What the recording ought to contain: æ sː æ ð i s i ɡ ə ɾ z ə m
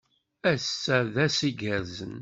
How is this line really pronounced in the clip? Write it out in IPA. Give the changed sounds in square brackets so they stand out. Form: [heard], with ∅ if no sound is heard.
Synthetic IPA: æ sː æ ð [æ] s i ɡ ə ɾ z ə [n]